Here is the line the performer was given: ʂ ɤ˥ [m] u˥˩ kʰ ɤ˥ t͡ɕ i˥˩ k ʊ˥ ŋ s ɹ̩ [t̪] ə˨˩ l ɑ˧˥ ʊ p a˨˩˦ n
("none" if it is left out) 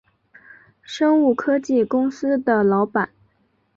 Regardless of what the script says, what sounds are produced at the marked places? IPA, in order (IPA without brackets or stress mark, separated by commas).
ŋ, d̪